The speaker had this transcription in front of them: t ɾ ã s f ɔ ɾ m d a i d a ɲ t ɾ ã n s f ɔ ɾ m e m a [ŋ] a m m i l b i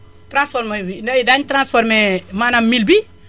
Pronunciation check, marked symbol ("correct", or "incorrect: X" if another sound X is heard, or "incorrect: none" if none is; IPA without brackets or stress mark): incorrect: n